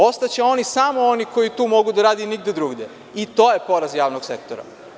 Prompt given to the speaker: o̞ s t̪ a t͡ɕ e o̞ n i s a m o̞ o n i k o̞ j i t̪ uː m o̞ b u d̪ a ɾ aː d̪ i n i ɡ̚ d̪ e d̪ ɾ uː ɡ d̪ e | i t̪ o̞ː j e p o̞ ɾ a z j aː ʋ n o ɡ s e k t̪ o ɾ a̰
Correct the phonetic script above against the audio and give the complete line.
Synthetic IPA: o̞ s t̪ a t͡ɕ e o̞ n i s a m o̞ o n i k o̞ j i t̪ uː m o̞ ɡ u d̪ a ɾ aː d̪ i n i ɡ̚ d̪ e d̪ ɾ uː ɡ d̪ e | i t̪ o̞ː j e p o̞ ɾ a z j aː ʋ n o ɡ s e k t̪ o ɾ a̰

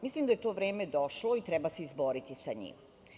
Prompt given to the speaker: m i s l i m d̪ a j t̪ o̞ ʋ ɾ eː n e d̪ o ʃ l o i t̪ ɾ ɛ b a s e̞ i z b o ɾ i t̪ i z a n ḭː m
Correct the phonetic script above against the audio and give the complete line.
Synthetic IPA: m i s l i m d̪ a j t̪ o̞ ʋ ɾ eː m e d̪ o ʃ l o i t̪ ɾ ɛ b a s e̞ i z b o ɾ i t̪ i s a ɲ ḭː m

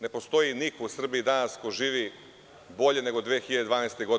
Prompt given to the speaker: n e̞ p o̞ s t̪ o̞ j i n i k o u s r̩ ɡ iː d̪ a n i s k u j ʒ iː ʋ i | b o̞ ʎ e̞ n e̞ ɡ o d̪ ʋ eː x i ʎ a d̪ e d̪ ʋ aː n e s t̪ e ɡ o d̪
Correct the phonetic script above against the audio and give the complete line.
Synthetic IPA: n e̞ p o̞ s t̪ o̞ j i n i k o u s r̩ b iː d̪ a n a s k o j ʒ iː ʋ i | b o̞ ʎ e̞ n e̞ ɡ o d̪ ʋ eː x i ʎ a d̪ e d̪ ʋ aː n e s t̪ e ɡ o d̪

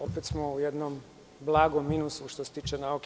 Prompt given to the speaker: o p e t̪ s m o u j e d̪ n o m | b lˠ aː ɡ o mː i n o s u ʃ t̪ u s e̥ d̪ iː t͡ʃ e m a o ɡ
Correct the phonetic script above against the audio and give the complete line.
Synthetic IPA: o p e t̪ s m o u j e d̪ n o m | b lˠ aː ɡ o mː i n u s u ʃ t̪ o s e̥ t̪ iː t͡ʃ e n a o k

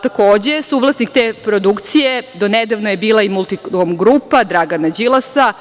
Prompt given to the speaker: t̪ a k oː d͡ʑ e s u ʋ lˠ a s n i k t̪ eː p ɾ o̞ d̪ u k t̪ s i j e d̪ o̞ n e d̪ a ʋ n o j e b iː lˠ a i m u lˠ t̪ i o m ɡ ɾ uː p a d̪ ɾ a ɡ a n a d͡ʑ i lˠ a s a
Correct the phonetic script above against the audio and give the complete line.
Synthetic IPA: t̪ a k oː d͡ʑ e s u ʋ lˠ a s n i k t̪ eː p ɾ o̞ d̪ u k t̪ s i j e d̪ o̞ n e d̪ a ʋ n o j e b iː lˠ a i m u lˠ t̪ i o m ɡ ɾ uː p a d̪ ɾ a ɡ a n a d͡ʑ i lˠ a s a

